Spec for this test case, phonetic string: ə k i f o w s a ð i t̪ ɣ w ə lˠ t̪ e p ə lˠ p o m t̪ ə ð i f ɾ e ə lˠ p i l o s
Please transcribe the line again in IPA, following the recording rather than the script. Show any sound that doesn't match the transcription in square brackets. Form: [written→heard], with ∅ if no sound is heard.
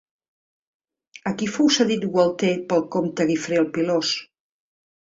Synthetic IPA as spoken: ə k i f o w s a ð i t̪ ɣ w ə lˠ t̪ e p ə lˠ [p→k] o m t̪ ə [ð→ɣ] i f ɾ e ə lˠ p i l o s